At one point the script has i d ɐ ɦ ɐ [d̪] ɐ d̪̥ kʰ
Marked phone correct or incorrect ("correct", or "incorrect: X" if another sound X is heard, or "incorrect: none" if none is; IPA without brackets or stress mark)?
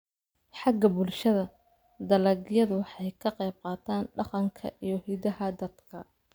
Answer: correct